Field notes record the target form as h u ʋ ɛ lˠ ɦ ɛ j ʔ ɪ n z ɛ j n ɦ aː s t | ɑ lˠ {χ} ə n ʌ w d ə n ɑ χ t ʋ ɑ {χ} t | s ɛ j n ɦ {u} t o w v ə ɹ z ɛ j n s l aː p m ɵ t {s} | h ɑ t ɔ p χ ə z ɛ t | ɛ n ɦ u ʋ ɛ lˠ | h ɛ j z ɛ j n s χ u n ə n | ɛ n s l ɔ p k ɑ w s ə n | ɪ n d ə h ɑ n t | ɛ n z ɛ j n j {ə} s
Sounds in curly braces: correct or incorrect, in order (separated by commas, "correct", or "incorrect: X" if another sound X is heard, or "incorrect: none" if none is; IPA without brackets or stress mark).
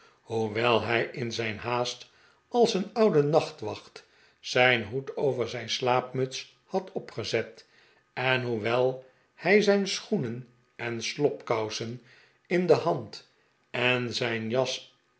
incorrect: s, correct, correct, correct, incorrect: ɑ